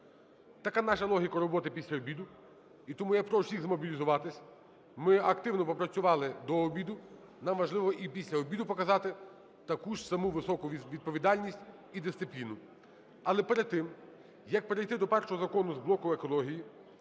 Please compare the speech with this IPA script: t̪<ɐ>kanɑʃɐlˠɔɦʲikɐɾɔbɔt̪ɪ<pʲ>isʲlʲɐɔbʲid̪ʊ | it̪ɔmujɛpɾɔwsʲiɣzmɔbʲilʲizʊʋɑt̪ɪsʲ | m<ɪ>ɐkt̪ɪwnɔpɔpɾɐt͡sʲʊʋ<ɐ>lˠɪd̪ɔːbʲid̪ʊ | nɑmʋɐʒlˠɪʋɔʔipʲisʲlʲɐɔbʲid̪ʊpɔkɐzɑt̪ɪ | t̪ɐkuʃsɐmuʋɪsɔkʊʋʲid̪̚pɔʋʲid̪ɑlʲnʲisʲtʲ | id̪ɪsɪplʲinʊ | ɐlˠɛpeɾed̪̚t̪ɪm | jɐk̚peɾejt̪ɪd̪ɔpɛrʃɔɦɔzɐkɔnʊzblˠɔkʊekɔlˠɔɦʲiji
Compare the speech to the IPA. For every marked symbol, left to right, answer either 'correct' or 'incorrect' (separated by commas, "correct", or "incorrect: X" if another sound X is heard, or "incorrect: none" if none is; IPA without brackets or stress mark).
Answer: correct, correct, correct, incorrect: ɑ